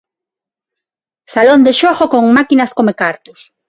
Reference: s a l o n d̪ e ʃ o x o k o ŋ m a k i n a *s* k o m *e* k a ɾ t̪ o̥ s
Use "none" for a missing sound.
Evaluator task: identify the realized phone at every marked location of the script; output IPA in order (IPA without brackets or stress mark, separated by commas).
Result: s, e